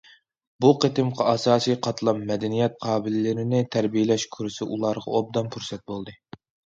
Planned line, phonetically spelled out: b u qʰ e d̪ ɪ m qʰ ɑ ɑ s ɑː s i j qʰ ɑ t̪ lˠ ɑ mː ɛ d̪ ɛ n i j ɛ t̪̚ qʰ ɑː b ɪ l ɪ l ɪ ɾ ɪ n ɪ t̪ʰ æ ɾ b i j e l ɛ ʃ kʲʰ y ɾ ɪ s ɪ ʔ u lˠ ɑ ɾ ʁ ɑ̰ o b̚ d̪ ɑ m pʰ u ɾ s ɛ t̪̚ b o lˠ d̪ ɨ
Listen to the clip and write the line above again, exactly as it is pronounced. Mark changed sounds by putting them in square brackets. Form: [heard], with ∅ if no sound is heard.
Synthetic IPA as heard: b u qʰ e [t̪] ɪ m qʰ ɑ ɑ s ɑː s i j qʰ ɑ t̪ lˠ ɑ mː ɛ d̪ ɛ n i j ɛ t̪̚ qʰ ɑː b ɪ l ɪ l ɪ ɾ ɪ n ɪ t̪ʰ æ ɾ b i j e l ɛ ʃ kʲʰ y ɾ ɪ s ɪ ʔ u lˠ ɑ ɾ ʁ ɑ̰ o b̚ d̪ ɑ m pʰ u ɾ s ɛ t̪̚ b o lˠ d̪ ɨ